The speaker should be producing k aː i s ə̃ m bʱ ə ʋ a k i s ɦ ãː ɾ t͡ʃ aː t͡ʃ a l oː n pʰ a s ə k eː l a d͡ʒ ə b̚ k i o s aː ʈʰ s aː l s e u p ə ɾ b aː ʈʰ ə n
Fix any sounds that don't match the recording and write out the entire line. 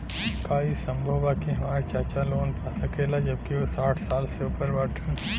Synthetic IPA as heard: k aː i s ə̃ m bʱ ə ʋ a k i ɦ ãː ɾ t͡ʃ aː t͡ʃ a l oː n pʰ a s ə k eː l a d͡ʒ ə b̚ k i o s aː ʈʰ s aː l s e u p ə ɾ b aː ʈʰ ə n